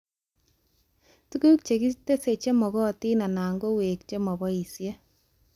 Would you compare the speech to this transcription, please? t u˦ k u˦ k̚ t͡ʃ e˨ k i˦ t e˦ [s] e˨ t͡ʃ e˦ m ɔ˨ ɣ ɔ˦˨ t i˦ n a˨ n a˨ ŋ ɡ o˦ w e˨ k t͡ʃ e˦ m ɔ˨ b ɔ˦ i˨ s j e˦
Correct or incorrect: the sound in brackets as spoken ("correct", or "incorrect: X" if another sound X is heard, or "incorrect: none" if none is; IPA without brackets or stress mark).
correct